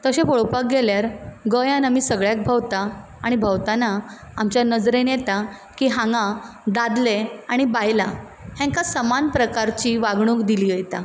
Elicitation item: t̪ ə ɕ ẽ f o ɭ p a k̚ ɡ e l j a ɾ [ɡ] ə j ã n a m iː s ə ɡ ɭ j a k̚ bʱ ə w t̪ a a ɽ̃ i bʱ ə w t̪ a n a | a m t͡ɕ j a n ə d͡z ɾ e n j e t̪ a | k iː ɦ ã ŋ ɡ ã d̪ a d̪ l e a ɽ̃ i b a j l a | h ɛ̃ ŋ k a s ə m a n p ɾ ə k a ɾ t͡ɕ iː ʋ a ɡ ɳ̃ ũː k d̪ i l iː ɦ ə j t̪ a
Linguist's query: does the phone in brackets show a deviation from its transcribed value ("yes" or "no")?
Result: no